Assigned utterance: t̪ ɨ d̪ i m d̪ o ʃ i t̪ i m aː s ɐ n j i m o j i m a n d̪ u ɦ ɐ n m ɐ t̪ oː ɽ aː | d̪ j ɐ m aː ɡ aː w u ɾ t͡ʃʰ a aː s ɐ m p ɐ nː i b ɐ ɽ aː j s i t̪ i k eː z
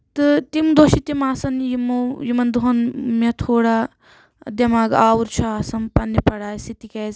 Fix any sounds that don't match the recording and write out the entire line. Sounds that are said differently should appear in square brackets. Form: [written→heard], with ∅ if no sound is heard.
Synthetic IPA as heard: t̪ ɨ [d̪→t̪] i m d̪ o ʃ i t̪ i m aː s ɐ n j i m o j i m [a→ɐ] n d̪ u ɦ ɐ n m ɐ [t̪→t̪ʰ] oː ɽ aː | d̪ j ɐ m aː ɡ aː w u ɾ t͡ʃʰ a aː s ɐ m p ɐ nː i [b→p] ɐ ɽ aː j s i t̪ i k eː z

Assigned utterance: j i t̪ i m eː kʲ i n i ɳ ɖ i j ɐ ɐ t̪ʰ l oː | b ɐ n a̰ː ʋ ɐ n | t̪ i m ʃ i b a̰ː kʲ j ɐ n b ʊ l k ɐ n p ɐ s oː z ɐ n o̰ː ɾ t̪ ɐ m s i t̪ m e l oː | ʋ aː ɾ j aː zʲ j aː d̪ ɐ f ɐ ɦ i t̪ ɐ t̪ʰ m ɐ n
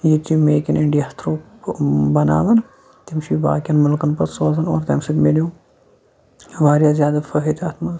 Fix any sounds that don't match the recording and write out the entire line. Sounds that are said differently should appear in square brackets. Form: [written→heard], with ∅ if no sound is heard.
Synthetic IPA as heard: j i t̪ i m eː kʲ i n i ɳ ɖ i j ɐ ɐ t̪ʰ [l→ɾ] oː | b ɐ n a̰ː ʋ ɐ n | t̪ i m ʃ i b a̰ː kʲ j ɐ n [b→m] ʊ l k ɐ n p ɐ s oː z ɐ n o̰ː ɾ t̪ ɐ m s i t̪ m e l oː | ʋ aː ɾ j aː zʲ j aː d̪ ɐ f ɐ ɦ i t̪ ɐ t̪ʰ m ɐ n

